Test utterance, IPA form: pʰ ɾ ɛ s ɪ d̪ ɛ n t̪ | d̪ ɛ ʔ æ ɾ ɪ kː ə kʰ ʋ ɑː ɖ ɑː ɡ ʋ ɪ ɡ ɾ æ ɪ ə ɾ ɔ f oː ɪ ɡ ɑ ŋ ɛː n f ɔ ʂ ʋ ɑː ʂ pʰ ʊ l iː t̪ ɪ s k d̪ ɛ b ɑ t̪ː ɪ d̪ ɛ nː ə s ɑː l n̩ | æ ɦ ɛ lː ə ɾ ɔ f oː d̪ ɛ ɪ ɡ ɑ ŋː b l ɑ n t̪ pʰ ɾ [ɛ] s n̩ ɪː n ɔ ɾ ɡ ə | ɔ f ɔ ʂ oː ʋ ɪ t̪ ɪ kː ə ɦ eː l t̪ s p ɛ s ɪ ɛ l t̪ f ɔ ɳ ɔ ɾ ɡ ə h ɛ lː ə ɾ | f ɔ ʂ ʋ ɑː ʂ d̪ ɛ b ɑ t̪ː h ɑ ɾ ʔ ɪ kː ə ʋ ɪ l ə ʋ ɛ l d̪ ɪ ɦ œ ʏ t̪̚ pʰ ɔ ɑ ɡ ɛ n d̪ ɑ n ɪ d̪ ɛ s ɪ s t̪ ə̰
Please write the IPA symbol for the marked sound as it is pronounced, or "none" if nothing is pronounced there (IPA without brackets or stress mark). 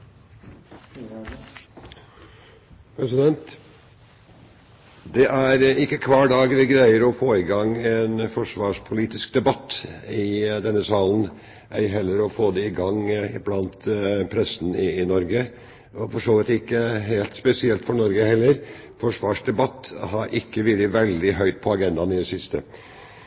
ɛ